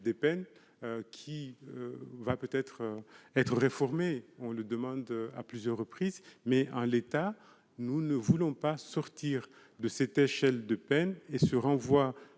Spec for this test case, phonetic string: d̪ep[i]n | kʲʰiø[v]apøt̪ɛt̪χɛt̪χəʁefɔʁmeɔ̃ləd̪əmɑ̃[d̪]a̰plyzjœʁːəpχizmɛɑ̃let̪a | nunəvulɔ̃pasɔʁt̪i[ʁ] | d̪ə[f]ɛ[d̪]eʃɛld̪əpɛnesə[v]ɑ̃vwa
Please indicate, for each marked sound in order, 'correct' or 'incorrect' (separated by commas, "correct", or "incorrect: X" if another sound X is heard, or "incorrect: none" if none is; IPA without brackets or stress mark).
incorrect: ɛ, correct, correct, correct, incorrect: s, incorrect: t̪, incorrect: ʁ